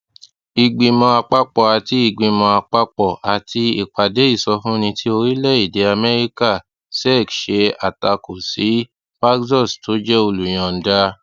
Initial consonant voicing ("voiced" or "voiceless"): voiced